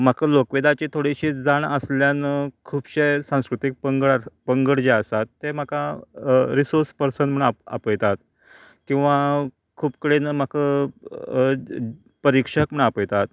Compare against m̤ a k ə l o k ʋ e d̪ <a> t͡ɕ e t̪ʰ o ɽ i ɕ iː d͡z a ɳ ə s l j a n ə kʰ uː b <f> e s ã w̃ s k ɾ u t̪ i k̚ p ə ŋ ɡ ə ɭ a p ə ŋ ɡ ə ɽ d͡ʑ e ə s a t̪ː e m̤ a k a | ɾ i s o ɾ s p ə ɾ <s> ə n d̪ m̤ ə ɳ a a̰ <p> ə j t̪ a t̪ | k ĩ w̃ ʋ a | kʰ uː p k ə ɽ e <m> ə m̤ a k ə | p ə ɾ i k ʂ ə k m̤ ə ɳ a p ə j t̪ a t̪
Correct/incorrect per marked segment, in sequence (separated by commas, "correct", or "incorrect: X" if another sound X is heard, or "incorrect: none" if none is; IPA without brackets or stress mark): correct, incorrect: ɕ, correct, correct, incorrect: n